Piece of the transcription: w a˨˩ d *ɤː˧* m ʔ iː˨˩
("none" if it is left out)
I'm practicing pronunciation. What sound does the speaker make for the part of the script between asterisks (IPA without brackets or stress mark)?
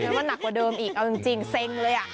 ɤː˧